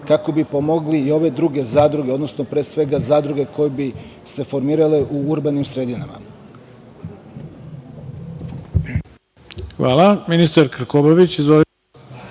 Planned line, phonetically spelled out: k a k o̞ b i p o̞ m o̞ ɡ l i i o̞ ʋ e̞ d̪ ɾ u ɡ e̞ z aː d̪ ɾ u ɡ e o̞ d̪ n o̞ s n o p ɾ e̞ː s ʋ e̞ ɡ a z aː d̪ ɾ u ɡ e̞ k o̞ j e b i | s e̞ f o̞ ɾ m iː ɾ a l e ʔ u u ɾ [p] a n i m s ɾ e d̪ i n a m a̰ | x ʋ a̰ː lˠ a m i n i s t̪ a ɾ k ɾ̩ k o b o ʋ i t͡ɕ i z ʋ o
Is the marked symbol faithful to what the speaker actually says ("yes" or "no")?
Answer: no